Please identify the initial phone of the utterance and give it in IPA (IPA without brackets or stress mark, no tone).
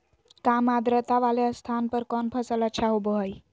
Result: k